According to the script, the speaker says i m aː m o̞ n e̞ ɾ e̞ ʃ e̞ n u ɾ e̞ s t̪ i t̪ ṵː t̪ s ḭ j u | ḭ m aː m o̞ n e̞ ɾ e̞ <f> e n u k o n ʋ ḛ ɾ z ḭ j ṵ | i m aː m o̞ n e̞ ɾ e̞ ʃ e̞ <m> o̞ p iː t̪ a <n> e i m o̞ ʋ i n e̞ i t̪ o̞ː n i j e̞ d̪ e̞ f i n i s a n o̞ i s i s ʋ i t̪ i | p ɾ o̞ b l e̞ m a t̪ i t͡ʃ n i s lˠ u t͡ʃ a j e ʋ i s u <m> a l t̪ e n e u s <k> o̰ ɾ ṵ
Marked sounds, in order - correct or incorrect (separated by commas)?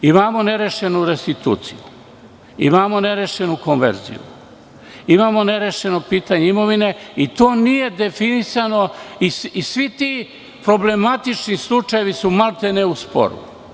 incorrect, incorrect, incorrect, correct, incorrect